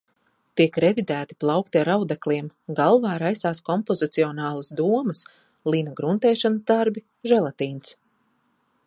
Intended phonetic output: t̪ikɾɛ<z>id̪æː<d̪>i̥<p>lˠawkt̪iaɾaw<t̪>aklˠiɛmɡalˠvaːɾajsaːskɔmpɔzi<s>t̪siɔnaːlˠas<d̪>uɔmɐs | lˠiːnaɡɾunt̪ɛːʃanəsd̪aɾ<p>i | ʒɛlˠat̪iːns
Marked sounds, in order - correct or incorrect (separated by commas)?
incorrect, incorrect, correct, incorrect, incorrect, correct, incorrect